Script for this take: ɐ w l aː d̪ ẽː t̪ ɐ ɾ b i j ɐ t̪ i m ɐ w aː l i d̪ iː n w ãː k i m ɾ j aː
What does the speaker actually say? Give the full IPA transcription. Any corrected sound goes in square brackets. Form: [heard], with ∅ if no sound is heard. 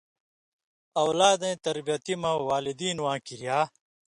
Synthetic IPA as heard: ɐ w l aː d̪ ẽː t̪ ɐ ɾ b i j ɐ t̪ i m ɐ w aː l i d̪ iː n w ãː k i [∅] ɾ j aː